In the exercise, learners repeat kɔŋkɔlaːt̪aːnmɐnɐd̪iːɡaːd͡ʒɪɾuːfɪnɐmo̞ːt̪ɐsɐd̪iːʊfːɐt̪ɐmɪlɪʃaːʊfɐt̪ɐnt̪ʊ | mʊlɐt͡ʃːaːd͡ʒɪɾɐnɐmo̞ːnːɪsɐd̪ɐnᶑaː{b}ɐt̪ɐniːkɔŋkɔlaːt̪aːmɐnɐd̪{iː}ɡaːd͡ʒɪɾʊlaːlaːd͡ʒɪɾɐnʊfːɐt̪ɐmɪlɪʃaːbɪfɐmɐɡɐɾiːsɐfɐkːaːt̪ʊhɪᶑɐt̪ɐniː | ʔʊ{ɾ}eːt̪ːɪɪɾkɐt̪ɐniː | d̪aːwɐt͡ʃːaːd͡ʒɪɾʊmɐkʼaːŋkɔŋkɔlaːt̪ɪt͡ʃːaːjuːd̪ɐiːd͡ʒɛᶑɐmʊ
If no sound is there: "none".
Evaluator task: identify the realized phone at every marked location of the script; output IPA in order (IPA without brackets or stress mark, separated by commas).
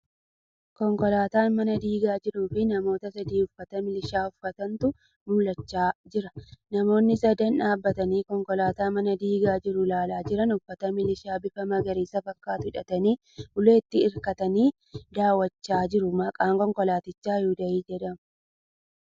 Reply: bː, iː, l